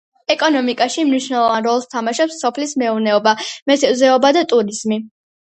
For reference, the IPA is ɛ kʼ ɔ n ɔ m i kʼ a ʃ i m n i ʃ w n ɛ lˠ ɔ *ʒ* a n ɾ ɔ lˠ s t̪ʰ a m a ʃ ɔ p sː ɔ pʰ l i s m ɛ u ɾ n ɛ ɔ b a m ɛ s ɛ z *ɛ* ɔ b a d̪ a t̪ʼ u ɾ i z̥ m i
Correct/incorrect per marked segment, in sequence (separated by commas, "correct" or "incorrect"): incorrect, correct